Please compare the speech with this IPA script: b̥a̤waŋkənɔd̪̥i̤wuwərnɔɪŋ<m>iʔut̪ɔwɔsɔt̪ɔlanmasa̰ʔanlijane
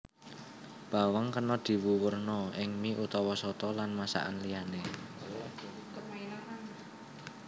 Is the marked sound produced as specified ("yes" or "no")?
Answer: yes